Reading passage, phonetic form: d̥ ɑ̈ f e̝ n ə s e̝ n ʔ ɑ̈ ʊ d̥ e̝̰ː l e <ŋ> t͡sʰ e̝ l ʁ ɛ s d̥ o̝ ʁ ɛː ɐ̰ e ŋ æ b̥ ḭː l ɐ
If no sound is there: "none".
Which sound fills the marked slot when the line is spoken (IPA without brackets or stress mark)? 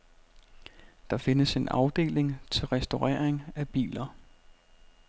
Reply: ŋ